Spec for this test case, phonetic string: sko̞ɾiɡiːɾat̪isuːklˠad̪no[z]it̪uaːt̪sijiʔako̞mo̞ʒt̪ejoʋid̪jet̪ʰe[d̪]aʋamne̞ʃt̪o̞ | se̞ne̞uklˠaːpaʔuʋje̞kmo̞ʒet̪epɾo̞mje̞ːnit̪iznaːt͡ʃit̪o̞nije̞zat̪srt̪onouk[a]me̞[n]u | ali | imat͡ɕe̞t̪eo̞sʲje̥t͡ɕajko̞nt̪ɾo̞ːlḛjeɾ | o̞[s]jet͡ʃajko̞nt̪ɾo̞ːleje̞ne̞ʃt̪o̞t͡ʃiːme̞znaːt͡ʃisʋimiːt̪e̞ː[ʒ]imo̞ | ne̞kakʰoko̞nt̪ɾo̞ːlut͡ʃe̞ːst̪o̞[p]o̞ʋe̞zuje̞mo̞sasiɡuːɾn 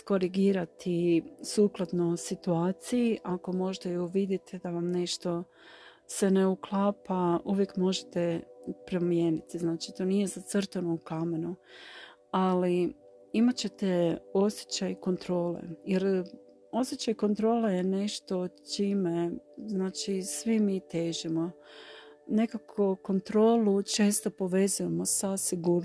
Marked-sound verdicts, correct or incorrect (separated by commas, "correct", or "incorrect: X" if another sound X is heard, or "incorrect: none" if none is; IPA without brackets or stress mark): incorrect: s, correct, correct, correct, correct, correct, correct